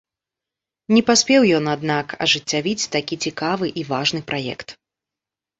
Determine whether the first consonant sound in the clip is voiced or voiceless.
voiced